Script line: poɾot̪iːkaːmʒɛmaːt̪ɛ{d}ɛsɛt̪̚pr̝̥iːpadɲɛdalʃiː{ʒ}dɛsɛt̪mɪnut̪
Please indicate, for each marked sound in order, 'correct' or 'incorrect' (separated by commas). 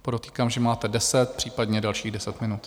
correct, incorrect